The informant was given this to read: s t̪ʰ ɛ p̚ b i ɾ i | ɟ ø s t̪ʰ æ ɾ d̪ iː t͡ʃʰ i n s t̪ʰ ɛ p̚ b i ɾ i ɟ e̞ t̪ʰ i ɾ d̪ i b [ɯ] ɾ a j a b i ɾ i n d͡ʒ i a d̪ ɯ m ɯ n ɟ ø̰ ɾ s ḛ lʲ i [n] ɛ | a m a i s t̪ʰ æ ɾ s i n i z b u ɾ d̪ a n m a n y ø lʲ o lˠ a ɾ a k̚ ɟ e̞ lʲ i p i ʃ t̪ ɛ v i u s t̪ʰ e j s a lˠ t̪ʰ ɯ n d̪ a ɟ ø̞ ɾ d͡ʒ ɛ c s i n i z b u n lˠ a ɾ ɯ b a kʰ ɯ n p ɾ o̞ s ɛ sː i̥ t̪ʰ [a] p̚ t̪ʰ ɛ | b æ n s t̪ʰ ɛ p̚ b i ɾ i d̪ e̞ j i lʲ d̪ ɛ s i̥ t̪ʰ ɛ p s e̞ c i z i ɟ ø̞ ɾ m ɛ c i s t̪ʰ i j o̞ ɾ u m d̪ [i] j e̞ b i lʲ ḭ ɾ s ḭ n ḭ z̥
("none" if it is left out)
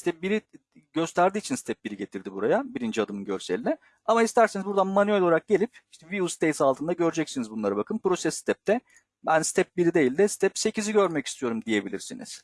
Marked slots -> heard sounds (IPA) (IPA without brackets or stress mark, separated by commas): u, n, ɛ, i